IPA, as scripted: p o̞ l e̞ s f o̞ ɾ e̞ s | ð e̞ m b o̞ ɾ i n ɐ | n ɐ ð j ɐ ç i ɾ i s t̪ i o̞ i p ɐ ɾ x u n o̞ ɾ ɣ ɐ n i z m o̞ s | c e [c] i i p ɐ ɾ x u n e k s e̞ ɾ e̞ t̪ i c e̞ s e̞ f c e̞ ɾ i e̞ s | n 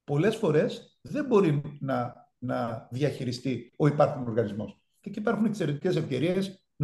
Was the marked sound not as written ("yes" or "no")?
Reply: no